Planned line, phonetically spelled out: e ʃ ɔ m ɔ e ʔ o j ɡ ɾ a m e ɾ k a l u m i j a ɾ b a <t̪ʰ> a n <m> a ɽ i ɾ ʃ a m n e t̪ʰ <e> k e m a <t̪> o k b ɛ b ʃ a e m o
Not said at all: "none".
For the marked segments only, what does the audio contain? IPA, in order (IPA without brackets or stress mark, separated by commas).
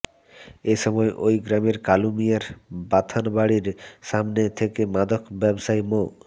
t̪ʰ, b, e, d̪